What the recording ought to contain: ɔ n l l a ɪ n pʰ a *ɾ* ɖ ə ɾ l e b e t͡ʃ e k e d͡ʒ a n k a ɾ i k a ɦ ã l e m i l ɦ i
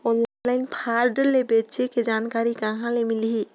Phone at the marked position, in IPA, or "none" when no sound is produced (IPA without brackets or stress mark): ɾ